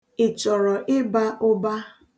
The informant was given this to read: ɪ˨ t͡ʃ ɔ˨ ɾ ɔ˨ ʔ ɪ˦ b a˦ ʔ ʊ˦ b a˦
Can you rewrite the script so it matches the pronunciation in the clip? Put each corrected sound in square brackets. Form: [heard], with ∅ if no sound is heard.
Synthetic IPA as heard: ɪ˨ t͡ʃ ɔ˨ ɾ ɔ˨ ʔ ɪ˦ b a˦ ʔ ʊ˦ b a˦